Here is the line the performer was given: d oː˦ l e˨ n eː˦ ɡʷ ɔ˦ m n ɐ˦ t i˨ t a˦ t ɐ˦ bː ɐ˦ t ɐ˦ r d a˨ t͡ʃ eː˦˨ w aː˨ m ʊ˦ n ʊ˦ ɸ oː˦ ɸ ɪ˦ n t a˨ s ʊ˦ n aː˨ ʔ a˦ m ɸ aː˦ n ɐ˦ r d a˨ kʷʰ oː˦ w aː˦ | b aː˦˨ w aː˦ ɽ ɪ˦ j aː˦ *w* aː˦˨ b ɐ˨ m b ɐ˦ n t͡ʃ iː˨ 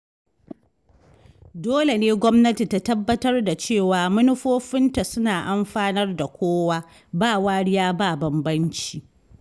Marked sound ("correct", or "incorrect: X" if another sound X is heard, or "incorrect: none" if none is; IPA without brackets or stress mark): incorrect: b